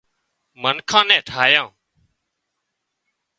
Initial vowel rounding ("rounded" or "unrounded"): unrounded